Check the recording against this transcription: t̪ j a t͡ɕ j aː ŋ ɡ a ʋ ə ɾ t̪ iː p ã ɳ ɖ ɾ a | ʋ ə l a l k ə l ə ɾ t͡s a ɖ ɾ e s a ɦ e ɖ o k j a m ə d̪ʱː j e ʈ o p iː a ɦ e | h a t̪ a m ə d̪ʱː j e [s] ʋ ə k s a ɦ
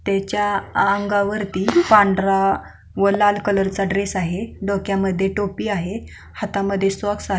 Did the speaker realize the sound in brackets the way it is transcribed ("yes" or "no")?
yes